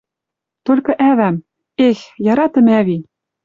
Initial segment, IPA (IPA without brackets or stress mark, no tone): t̪